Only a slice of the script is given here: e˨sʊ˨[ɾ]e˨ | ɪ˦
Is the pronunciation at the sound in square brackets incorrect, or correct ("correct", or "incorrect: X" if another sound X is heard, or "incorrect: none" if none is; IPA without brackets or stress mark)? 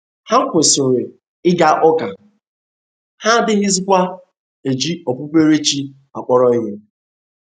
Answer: correct